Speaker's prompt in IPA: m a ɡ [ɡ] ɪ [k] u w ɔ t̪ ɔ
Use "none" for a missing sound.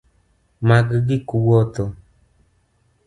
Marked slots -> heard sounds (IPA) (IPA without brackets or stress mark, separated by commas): ɡ, k